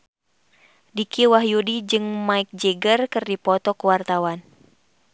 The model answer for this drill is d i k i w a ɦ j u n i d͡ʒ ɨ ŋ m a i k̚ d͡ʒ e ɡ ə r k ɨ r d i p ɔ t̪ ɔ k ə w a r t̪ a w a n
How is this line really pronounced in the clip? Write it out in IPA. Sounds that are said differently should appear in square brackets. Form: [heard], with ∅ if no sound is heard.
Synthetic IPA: d i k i w a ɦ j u [d] i d͡ʒ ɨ ŋ m a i k̚ d͡ʒ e ɡ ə r k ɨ r d i p ɔ t̪ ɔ k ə w a r t̪ a w a n